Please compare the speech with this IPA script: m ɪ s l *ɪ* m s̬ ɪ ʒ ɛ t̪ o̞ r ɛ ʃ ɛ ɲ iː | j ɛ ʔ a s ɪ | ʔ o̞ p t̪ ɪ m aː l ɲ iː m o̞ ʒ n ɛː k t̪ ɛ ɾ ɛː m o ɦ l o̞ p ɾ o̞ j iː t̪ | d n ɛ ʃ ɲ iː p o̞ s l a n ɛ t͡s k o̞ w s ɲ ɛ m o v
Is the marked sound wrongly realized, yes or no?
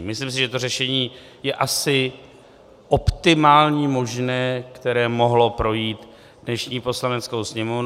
yes